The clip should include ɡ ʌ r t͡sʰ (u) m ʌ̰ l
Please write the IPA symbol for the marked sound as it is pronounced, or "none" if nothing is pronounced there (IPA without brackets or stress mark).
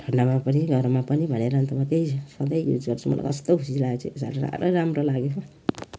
u